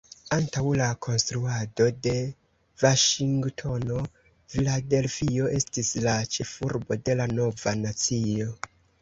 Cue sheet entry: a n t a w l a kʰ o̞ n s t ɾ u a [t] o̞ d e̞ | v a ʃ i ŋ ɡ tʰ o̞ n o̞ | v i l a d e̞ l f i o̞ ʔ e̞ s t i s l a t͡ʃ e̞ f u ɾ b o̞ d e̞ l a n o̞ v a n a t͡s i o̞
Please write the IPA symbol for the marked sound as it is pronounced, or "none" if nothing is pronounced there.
d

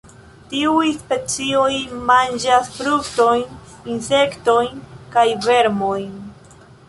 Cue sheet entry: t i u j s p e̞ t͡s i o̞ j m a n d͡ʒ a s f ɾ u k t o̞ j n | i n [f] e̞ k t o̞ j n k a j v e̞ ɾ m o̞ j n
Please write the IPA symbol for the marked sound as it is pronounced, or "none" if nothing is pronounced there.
s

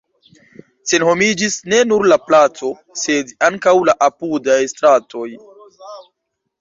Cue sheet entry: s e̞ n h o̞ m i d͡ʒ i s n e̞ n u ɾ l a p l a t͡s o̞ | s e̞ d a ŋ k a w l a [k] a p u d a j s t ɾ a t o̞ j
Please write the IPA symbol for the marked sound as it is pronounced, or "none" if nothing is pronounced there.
ʔ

